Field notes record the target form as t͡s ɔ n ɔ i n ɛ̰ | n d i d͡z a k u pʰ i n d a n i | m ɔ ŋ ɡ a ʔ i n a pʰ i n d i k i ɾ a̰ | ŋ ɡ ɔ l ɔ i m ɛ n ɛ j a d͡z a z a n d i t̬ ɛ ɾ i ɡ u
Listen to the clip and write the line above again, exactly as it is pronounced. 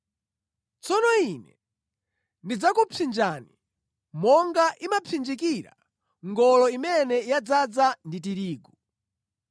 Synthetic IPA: t͡s ɔ n ɔ i n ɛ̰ | n d i d͡z a k u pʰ i n d͡ʒ a n i | m ɔ ŋ ɡ a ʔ i m a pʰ i n d͡ʒ i k i ɾ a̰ | ŋ ɡ ɔ l ɔ i m ɛ n ɛ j a d͡z a d͡z a n d i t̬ i ɾ iː ɡ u